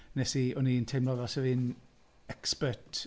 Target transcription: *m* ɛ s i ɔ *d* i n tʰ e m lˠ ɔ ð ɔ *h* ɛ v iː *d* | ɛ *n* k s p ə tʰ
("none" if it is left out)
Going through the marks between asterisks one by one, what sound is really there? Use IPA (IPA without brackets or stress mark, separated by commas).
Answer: n, n, s, n, none